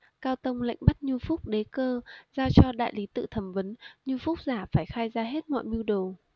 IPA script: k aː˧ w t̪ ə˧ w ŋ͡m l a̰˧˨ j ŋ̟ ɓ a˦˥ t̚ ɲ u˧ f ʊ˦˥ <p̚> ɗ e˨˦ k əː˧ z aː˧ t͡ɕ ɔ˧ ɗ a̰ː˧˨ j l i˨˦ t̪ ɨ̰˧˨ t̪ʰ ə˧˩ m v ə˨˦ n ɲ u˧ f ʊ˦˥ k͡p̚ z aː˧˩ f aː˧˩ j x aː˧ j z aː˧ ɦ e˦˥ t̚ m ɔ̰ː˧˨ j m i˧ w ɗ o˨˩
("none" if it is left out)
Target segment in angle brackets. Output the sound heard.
k͡p̚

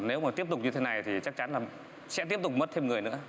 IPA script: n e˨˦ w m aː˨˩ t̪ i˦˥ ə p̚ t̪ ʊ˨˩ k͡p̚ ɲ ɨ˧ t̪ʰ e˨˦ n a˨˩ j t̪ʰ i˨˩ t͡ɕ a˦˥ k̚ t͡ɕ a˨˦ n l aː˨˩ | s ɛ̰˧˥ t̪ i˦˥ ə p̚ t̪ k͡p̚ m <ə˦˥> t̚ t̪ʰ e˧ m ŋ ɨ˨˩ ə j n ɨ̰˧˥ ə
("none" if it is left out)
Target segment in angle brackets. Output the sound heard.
ə˦˥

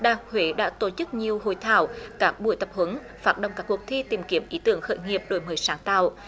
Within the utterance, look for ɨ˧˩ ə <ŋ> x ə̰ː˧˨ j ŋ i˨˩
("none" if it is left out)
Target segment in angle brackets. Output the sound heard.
ŋ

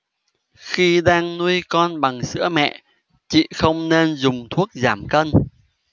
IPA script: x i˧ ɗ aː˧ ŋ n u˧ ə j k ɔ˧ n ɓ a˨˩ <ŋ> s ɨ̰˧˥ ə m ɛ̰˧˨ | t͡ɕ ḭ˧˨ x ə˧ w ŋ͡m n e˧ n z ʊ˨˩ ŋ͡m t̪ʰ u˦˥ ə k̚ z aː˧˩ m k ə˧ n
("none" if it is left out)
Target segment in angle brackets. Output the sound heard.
ŋ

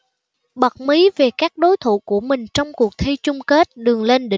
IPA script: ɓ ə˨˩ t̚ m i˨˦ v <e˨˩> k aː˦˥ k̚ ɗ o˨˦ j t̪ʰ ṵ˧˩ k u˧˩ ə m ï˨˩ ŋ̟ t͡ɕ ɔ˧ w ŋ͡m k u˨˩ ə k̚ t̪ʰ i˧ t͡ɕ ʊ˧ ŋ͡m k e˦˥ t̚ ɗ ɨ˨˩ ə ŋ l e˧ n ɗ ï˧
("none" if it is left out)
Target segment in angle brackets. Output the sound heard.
e˨˩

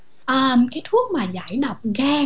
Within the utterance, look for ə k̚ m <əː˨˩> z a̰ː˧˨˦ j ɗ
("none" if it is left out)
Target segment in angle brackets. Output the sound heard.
aː˨˩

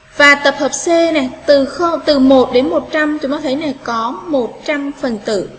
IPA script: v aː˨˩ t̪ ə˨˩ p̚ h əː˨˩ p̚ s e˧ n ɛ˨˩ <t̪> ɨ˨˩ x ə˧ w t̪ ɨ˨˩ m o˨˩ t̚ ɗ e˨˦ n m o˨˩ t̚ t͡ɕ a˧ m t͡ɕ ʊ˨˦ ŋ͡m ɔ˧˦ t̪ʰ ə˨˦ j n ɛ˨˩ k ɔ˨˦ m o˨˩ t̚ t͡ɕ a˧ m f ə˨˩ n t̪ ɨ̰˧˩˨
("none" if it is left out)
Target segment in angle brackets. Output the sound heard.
t̪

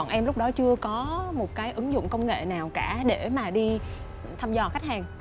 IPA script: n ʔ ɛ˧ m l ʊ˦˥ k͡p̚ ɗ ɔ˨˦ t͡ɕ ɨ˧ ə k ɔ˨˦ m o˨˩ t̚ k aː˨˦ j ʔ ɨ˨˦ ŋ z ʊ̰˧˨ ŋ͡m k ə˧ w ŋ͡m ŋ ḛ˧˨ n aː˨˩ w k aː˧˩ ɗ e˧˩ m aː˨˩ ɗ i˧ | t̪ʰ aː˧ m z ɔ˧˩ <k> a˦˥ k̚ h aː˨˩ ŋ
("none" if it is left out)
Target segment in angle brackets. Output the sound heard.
x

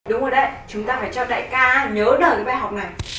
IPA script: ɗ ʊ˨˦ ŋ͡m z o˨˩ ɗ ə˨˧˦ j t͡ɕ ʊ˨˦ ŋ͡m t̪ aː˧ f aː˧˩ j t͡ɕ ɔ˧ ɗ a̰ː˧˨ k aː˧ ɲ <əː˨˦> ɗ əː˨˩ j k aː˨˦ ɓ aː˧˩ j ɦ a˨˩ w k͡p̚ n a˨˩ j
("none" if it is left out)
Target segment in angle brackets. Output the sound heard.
əː˨˦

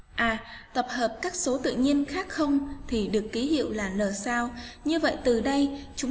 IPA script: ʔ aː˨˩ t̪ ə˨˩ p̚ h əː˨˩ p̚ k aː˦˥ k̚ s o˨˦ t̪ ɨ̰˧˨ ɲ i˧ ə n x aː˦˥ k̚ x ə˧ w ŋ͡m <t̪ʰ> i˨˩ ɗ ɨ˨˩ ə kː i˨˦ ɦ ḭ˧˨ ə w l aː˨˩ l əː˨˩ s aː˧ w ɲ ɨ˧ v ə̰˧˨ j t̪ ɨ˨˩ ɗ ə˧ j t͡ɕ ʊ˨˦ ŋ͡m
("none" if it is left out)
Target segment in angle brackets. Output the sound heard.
t̪ʰ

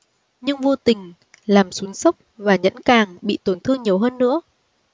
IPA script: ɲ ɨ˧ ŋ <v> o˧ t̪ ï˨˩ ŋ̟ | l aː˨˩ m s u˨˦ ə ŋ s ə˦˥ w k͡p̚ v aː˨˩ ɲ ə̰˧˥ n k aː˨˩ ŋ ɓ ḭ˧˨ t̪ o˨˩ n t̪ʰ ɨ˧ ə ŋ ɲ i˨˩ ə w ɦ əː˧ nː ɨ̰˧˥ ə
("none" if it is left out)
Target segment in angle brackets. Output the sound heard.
v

